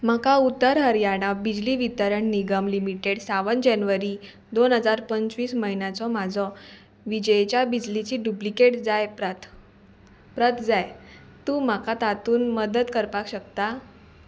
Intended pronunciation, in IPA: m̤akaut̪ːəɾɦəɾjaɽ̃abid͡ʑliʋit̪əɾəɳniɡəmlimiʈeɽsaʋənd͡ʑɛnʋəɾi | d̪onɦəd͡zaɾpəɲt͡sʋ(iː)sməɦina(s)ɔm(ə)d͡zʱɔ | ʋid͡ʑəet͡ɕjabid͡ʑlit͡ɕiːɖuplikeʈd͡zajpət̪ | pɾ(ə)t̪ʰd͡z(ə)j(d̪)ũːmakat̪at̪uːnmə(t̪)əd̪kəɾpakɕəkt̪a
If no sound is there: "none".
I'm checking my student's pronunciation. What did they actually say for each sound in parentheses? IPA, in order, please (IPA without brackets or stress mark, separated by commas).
iː, t͡s, a, ə, a, t̪, d̪